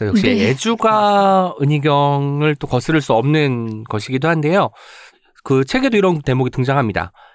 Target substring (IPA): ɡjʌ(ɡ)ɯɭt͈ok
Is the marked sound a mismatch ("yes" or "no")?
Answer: yes